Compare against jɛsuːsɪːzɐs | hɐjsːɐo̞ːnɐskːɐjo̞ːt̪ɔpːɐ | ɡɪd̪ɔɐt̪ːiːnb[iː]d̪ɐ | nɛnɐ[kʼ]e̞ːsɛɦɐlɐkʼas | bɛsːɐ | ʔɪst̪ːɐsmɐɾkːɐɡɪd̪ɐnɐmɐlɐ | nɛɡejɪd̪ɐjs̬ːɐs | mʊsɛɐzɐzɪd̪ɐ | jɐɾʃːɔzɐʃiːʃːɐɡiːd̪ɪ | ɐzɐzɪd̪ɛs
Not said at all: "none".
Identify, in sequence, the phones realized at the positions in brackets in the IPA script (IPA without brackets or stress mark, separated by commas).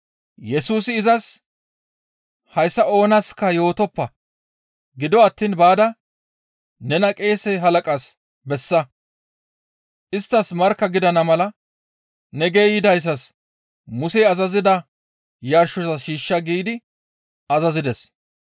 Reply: aː, kʼ